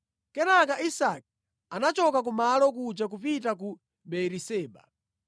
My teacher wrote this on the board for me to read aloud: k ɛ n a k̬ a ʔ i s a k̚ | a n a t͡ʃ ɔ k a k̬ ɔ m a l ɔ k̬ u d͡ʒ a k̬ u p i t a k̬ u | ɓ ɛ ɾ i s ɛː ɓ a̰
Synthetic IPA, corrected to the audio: k ɛ n a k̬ a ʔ i s a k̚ | a n a t͡ʃ ɔ k a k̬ u m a l ɔ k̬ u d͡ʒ a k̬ u p i t a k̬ u | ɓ ɛ ɾ i s ɛː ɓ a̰